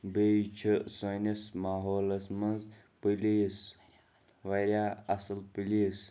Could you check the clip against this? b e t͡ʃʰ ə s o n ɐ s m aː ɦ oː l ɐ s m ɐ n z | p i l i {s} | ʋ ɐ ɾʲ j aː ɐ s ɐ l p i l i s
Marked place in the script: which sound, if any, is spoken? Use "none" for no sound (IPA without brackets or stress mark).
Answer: s